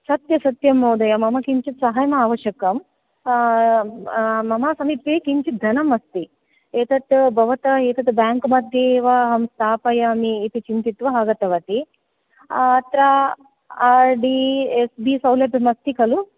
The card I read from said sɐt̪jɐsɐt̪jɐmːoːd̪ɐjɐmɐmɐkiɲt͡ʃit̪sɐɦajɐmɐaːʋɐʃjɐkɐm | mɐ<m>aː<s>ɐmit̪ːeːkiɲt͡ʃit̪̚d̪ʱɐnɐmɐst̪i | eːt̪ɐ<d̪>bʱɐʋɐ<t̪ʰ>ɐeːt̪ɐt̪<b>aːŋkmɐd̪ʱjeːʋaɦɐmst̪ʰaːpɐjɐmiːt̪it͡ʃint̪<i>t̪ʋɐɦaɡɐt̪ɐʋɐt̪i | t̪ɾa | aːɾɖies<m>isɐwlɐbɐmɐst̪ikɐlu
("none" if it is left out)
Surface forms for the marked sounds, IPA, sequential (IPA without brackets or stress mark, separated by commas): m, s, t̪, t̪, b, i, b